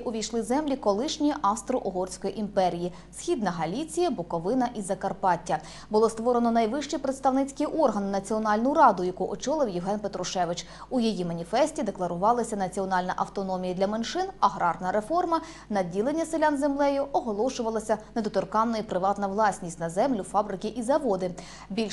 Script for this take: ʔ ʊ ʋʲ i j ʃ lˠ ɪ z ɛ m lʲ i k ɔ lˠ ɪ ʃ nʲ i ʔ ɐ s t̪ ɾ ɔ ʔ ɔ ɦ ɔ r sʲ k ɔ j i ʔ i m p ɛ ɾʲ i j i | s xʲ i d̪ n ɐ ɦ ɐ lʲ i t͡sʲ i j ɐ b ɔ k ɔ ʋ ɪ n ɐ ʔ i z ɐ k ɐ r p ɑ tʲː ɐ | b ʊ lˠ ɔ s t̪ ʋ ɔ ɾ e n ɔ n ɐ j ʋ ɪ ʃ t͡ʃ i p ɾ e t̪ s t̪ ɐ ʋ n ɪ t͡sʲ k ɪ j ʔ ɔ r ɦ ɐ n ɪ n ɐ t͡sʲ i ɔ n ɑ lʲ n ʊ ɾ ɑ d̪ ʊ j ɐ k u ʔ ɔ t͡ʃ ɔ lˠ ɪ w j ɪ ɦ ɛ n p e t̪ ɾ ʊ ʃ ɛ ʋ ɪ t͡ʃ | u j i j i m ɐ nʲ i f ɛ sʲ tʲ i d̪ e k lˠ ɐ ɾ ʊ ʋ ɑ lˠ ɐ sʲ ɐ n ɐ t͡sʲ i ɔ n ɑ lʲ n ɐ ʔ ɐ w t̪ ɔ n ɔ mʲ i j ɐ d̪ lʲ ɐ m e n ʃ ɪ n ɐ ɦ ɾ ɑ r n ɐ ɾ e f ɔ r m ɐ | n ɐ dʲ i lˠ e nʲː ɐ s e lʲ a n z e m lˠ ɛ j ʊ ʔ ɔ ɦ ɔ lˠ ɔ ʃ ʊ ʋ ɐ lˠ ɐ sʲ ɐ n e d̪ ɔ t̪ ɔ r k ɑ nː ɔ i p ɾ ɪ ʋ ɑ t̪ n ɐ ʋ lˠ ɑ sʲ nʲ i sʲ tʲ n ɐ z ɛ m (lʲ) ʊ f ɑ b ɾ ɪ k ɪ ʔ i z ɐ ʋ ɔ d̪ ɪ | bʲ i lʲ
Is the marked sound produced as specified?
yes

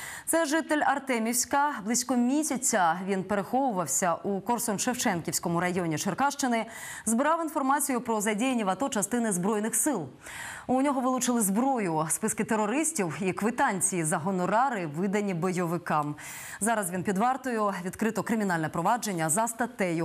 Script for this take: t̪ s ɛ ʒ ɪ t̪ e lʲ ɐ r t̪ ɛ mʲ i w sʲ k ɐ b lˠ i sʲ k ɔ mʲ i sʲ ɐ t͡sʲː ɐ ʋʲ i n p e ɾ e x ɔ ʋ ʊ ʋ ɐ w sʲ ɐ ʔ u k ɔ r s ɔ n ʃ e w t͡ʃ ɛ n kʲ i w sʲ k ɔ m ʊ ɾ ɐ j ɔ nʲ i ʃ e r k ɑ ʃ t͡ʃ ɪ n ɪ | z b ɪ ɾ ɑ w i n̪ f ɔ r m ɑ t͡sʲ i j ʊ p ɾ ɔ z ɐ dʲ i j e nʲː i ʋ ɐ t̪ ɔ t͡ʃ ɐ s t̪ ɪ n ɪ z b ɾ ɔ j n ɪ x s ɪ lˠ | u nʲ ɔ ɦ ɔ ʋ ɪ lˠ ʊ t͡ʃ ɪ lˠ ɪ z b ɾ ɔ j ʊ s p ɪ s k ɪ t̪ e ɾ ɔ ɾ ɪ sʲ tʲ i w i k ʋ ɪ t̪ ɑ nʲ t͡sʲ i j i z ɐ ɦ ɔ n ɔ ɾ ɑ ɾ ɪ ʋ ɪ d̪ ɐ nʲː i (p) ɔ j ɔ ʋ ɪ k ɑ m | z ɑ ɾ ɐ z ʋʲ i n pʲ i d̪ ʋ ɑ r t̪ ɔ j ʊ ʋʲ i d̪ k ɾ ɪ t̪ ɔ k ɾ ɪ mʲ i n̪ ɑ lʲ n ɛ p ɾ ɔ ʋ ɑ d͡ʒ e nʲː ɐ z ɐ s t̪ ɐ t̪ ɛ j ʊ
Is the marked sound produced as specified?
no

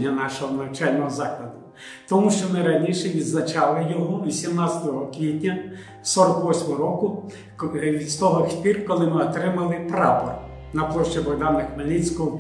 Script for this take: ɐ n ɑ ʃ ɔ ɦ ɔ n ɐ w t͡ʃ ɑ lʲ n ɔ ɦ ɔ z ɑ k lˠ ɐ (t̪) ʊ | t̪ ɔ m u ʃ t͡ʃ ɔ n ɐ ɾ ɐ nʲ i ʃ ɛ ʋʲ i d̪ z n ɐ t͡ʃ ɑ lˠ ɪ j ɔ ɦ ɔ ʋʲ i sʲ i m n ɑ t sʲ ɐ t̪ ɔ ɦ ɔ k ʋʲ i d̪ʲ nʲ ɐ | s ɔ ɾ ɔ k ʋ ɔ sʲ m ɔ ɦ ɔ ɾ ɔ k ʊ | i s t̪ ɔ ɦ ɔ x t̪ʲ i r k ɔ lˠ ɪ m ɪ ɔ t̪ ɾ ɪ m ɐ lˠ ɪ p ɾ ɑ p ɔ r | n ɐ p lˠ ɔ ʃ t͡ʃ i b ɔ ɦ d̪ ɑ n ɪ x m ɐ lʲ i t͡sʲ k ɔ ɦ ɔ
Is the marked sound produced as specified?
no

